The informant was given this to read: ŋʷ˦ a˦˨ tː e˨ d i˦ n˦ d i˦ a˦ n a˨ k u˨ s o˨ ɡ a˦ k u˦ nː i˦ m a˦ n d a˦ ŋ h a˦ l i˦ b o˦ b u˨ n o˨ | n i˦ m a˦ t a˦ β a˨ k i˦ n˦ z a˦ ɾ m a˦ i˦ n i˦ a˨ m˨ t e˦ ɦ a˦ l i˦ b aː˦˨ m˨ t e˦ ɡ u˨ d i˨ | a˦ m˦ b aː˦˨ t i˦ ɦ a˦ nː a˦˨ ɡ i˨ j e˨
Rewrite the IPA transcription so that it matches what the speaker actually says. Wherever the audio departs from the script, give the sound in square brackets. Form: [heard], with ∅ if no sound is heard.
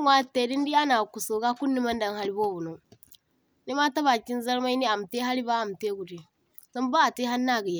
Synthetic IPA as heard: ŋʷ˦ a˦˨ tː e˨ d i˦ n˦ d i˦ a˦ n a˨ k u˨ s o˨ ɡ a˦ k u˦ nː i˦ m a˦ n d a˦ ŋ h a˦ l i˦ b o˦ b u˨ n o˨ | n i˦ m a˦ t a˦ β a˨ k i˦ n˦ z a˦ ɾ m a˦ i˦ n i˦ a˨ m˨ t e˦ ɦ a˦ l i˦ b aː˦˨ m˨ t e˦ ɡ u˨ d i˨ | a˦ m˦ b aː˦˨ t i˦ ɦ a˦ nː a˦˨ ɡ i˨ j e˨